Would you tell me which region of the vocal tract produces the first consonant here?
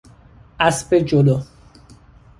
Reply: tongue tip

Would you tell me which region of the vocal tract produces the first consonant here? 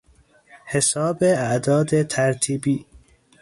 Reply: throat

